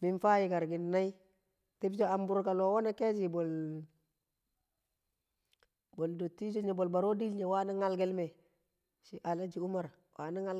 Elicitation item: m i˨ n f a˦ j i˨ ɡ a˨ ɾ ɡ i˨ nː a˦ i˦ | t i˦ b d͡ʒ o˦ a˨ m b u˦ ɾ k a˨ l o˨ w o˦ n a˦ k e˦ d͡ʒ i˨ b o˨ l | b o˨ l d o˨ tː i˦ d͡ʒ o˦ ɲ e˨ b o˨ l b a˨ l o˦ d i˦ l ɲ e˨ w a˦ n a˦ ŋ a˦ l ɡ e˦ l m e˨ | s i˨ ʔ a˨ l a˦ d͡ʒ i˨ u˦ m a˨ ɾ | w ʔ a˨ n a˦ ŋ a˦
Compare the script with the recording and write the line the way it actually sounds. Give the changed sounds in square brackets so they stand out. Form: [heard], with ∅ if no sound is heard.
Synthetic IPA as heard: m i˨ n f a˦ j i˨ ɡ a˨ ɾ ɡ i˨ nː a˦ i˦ | t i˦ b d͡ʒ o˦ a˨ m b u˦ ɾ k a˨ l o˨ w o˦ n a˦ k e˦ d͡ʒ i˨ b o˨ l | b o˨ l d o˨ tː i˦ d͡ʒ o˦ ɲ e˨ b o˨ l b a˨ [ɾ] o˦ d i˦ l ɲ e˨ w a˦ n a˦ ŋ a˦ l ɡ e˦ l m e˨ | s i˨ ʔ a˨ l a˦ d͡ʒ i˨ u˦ m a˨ ɾ | w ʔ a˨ n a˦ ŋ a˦